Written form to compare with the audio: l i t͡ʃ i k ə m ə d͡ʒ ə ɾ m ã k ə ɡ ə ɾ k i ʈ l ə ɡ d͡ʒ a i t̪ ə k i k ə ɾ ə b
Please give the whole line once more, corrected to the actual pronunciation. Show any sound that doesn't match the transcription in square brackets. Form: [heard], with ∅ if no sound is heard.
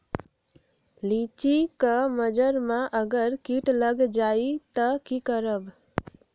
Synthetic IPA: l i t͡ʃ i k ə m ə d͡ʒ ə ɾ m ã [ʔ] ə ɡ ə ɾ k i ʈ l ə ɡ d͡ʒ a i t̪ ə k i k ə ɾ ə b